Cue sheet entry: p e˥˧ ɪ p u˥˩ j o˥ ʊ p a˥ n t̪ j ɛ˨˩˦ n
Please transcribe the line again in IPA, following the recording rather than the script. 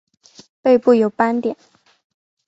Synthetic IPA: p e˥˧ ɪ p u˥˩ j o˨˩ ʊ p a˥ n t̪ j ɛ˨˩˦ n